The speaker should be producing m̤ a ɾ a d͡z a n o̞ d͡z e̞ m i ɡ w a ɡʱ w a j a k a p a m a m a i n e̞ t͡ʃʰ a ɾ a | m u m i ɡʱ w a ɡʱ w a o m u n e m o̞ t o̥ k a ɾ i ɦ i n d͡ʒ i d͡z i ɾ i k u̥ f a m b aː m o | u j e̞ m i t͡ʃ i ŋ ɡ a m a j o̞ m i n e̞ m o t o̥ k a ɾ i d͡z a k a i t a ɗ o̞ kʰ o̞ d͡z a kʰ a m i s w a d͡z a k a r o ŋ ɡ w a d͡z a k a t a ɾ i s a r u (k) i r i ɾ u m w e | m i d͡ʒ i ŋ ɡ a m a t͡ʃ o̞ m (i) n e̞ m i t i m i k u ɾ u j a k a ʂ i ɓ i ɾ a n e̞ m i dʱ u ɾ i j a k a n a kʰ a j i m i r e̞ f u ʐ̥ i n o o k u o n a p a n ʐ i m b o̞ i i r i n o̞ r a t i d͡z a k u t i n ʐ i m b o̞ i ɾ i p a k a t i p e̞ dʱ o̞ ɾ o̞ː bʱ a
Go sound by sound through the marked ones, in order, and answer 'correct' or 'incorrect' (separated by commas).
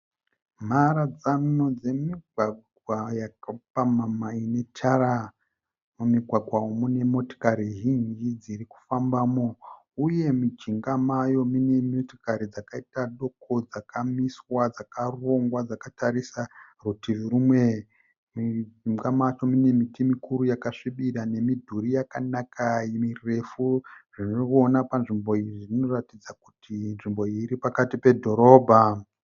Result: incorrect, correct